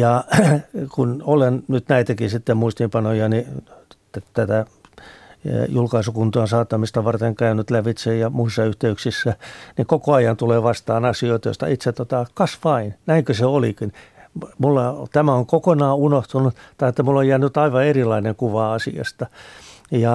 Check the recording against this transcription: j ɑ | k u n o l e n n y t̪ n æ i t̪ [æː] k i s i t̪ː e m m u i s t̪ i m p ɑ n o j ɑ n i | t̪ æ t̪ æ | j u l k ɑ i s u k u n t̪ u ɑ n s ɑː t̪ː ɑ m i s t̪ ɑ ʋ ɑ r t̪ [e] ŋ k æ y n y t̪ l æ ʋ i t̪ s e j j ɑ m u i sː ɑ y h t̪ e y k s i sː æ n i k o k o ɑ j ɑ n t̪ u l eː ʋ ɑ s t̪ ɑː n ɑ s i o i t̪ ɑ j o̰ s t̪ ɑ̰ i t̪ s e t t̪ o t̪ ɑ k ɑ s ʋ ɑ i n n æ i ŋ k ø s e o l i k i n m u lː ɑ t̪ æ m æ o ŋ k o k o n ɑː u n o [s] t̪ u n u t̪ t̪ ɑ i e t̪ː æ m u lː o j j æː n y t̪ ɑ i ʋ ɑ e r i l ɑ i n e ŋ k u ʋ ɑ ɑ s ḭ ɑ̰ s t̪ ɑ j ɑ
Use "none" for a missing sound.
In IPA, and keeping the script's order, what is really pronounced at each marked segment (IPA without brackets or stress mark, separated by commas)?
æ, e, h